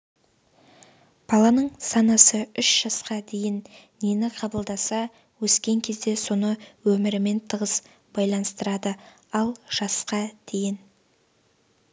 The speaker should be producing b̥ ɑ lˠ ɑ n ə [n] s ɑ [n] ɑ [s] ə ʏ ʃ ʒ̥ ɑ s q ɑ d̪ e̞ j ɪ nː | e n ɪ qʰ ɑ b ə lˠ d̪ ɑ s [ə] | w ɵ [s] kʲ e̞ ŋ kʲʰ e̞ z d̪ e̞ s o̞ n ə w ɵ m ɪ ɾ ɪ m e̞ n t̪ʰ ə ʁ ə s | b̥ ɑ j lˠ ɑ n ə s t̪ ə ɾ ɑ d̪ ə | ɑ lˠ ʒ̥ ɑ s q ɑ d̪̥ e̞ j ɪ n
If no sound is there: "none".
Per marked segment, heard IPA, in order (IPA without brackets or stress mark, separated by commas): ɴ, n, s, ɑ, s